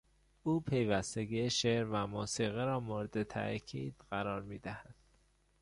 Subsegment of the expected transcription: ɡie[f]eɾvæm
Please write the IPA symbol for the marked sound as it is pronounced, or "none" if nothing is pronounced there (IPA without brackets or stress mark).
ʃ